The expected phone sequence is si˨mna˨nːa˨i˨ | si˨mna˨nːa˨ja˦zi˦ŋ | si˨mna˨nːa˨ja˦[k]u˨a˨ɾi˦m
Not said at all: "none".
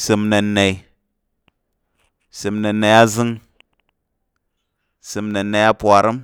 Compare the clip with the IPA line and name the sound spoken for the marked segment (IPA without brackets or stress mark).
p